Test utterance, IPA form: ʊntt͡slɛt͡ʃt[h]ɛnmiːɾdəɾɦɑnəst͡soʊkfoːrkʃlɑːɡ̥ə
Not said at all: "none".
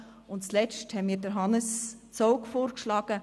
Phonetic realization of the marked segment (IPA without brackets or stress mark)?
h